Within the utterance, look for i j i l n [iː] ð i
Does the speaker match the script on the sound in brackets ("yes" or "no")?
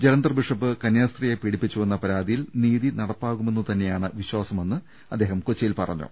yes